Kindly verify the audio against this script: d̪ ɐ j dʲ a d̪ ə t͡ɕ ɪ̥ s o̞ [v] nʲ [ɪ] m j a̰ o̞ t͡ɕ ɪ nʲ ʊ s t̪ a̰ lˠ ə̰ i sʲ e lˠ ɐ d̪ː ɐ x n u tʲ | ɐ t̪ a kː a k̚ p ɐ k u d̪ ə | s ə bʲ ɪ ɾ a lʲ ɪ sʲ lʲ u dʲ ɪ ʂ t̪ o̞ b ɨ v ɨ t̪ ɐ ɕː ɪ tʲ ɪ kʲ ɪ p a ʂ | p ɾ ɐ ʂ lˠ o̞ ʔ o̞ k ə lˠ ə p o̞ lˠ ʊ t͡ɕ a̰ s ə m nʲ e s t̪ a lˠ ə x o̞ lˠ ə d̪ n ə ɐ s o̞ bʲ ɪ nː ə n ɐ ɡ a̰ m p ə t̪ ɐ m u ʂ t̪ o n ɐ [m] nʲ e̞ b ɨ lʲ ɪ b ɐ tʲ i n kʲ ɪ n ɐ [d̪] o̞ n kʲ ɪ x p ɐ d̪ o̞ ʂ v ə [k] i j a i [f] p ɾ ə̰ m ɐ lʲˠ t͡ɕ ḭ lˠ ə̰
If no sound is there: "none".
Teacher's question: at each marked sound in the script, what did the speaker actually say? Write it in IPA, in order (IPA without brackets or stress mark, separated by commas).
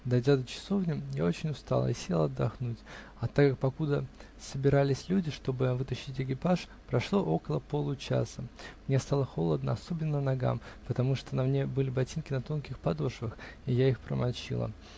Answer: v, ɪ, m, t̪, x, x